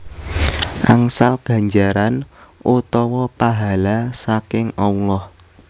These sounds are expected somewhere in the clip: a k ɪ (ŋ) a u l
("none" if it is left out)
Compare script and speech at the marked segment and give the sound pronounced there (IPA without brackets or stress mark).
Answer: ŋ